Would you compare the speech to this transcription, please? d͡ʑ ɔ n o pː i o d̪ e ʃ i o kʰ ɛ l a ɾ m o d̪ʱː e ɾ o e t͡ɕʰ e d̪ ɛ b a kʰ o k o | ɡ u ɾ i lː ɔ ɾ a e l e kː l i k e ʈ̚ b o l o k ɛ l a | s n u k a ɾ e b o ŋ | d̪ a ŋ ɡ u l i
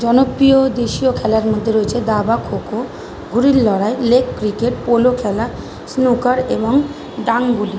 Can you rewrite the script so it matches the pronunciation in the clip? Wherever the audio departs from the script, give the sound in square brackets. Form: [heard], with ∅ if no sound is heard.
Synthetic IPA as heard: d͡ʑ ɔ n o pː i o d̪ e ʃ i o kʰ ɛ l a ɾ m o d̪ʱː e ɾ o e t͡ɕʰ e d̪ [a] b a kʰ o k o | ɡ u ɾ i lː ɔ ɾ a e l e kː [ɾ] i k e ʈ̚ [p] o l o [kʰ] ɛ l a | s n u k a ɾ e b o ŋ | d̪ a ŋ ɡ u l i